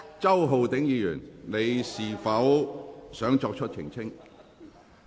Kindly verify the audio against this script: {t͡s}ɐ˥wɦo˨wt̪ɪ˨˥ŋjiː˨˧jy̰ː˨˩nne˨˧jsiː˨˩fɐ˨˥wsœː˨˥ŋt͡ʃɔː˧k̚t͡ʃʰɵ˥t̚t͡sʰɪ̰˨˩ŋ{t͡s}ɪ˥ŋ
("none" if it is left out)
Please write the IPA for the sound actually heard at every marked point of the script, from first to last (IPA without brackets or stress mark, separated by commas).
t͡s, t͡sʰ